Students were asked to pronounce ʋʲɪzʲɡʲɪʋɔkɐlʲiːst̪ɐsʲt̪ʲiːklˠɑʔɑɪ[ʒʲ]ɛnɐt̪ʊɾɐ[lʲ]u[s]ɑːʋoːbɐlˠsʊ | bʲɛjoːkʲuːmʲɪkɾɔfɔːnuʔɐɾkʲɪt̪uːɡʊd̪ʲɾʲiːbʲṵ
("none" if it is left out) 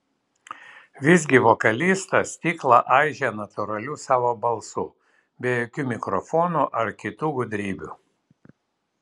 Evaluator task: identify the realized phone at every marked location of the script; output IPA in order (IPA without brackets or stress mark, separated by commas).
ʒʲ, lʲ, s